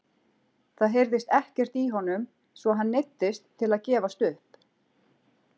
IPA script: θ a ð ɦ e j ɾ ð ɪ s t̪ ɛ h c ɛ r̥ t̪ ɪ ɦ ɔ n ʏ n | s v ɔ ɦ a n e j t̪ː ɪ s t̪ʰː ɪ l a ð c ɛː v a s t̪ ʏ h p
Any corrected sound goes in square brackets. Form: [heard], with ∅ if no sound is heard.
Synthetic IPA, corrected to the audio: θ a ð ɦ e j ɾ ð ɪ s t̪ ɛ h c ɛ r̥ t̪ [i] ɦ ɔ n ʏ [m] | s v ɔ ɦ a [nː] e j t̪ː ɪ s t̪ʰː ɪ l a ð c ɛː v a s t̪ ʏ h p